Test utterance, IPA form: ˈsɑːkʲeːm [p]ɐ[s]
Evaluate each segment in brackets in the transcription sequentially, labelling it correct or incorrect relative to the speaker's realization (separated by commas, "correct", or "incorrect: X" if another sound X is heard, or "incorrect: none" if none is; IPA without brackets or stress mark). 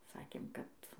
incorrect: k, incorrect: t